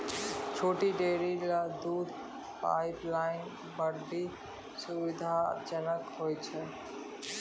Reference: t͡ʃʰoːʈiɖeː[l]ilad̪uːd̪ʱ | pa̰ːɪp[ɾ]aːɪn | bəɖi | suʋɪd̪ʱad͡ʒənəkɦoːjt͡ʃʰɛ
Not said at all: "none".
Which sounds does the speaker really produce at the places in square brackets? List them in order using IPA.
ɾ, l

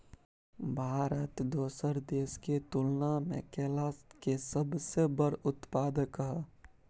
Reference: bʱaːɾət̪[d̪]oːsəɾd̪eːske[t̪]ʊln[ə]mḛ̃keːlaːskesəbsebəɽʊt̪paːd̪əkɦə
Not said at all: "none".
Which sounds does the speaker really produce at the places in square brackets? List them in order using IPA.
d̪, t̪, a

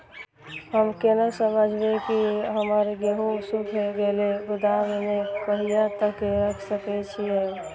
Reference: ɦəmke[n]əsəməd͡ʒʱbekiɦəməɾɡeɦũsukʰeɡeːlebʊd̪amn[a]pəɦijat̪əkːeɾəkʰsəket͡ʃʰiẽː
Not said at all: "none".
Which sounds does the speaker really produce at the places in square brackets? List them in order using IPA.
n, e

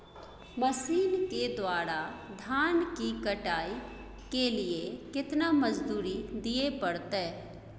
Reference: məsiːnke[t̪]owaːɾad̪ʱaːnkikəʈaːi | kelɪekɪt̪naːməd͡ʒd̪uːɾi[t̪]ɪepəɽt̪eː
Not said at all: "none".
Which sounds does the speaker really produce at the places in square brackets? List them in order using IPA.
d̪, d̪

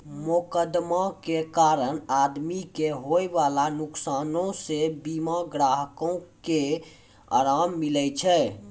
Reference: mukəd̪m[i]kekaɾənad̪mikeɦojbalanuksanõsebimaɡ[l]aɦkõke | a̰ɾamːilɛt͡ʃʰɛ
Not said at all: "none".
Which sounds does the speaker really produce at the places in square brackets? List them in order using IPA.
a, ɾ

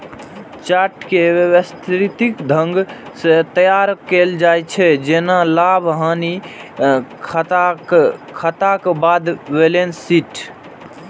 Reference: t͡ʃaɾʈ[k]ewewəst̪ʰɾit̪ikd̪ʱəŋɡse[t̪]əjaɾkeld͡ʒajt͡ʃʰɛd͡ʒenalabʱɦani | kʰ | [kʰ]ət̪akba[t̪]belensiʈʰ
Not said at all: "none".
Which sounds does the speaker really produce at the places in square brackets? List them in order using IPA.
k, t̪, kʰ, d̪

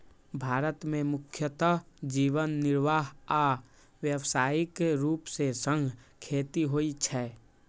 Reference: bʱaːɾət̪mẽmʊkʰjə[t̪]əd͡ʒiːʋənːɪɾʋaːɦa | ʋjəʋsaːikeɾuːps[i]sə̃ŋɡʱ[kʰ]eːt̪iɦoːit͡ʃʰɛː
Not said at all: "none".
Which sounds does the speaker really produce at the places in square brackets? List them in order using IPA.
t̪, e, kʰ

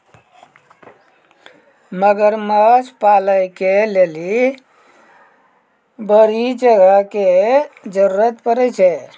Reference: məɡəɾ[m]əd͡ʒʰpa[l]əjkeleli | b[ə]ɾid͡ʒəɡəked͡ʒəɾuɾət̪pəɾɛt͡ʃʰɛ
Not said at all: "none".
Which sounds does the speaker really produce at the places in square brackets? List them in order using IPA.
m, l, ə

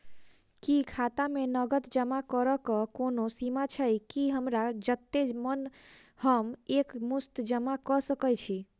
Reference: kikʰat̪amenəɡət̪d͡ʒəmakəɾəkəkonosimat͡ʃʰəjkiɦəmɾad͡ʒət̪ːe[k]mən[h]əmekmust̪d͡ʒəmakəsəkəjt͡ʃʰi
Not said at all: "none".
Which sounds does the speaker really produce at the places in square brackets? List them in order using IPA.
none, h

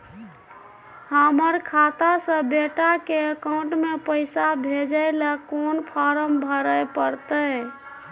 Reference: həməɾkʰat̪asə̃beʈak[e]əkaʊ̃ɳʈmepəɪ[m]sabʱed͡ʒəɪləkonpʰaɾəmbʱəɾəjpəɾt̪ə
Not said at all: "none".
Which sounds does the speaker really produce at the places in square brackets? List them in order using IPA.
e, none

